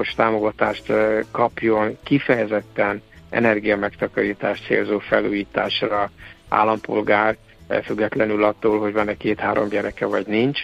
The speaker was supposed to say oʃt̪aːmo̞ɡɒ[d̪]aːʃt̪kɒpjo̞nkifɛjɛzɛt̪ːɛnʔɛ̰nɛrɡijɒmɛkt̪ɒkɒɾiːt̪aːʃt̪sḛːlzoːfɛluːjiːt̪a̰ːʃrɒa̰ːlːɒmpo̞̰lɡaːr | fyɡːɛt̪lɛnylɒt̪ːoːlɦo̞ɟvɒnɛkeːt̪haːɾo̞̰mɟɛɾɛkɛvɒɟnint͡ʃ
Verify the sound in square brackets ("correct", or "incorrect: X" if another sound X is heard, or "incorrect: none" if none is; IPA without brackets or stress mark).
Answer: incorrect: t̪